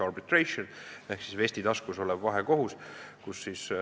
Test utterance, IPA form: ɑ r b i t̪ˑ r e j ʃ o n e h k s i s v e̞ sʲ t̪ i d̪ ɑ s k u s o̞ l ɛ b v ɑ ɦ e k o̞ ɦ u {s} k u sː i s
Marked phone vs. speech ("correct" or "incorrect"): correct